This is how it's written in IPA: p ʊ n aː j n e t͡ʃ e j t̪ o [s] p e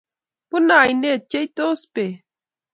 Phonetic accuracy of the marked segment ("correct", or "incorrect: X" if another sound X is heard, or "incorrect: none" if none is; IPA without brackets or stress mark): correct